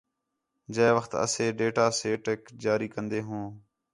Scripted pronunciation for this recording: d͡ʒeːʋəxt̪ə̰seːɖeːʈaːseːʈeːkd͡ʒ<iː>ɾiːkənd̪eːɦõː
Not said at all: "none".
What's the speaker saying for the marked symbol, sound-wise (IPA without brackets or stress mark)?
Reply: aː